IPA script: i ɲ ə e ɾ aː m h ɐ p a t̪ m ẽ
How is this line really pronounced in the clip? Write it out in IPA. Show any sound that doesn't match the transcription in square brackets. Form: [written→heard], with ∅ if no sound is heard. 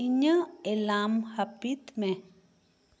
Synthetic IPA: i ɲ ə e [ɾ→l] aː m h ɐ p [a→i] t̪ m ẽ